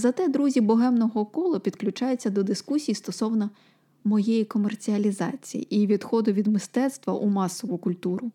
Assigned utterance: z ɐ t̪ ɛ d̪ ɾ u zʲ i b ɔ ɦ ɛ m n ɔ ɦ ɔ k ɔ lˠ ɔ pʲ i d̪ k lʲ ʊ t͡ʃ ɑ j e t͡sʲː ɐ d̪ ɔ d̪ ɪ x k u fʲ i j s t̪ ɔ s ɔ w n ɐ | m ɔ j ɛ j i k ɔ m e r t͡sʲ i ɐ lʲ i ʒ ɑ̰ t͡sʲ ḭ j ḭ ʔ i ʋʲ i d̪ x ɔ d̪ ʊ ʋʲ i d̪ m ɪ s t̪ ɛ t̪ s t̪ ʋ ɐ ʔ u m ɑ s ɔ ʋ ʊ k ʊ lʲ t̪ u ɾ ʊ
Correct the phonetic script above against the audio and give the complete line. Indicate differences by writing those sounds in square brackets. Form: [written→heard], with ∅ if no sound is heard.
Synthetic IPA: z ɐ t̪ ɛ d̪ ɾ u zʲ i b ɔ ɦ ɛ m n ɔ ɦ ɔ k ɔ lˠ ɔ pʲ i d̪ k lʲ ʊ t͡ʃ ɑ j e t͡sʲː ɐ d̪ ɔ d̪ ɪ [x→s] k u [fʲ→sʲ] i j s t̪ ɔ s ɔ w n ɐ | m ɔ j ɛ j i k ɔ m e r t͡sʲ i ɐ lʲ i [ʒ→z] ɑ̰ t͡sʲ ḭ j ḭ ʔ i ʋʲ i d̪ x ɔ d̪ ʊ ʋʲ i d̪ m ɪ s t̪ ɛ t̪ s t̪ ʋ ɐ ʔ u m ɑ s ɔ ʋ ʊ k ʊ lʲ t̪ u ɾ ʊ